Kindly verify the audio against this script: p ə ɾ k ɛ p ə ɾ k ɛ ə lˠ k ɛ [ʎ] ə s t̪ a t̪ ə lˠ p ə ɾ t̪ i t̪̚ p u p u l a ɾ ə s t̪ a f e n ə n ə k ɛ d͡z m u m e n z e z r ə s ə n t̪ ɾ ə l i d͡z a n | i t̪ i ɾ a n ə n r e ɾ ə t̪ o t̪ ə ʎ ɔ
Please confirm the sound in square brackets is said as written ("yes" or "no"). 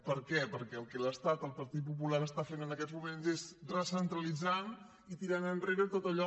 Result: no